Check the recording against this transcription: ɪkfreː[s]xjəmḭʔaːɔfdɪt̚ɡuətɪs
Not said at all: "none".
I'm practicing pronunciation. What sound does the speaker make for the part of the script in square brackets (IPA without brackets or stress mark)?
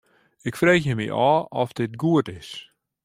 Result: none